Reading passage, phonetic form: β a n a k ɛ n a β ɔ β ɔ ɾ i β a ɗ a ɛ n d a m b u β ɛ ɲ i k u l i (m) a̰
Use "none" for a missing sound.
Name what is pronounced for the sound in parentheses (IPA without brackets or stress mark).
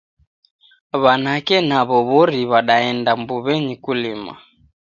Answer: m